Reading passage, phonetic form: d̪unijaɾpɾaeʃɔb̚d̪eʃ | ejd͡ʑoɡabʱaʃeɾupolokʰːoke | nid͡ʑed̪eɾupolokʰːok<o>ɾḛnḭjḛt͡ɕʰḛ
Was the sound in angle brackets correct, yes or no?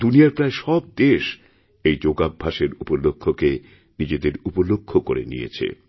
yes